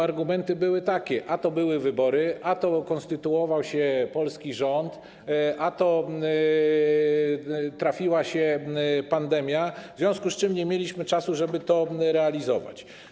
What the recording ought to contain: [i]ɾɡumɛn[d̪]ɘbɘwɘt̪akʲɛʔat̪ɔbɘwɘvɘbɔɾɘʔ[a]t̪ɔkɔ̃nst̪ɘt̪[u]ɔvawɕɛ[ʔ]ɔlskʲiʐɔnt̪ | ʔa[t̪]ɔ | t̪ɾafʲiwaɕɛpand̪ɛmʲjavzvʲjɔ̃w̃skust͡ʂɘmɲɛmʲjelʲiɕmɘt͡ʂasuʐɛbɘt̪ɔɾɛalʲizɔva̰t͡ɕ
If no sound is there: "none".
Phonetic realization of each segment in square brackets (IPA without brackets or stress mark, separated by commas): a, t̪, a, u, p, t̪